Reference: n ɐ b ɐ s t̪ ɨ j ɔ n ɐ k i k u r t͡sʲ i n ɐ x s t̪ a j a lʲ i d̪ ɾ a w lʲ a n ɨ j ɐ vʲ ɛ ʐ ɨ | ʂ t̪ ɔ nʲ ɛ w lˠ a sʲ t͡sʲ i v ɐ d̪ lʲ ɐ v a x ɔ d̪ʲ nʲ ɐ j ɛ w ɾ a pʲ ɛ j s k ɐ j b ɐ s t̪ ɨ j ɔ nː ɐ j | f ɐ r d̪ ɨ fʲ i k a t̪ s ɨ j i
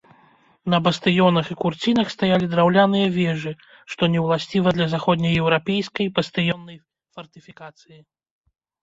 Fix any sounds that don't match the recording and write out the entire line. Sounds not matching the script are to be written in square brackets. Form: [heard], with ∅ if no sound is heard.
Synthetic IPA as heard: n ɐ b ɐ s t̪ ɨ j ɔ n ɐ [x] i k u r t͡sʲ i n ɐ x s t̪ a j a lʲ i d̪ ɾ a w lʲ a n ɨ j ɐ vʲ ɛ ʐ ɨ | ʂ t̪ ɔ nʲ ɛ w lˠ a sʲ t͡sʲ i v ɐ d̪ lʲ ɐ [z] a x ɔ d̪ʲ nʲ ɐ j ɛ w ɾ a pʲ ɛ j s k ɐ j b ɐ s t̪ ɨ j ɔ nː ɐ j | f ɐ r [t̪] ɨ fʲ i k a t̪ s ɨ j i